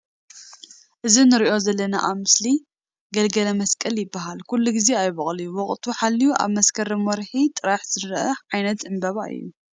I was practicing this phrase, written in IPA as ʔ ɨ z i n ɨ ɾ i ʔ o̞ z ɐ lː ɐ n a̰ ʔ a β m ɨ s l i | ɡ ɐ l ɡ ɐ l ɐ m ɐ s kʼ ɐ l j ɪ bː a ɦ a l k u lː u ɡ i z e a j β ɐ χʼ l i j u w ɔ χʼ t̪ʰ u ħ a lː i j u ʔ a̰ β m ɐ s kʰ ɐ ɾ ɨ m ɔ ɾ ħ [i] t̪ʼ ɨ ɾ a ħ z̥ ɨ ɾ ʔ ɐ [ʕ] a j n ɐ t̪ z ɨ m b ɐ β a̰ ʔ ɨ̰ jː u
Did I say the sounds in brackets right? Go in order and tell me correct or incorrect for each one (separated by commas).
correct, correct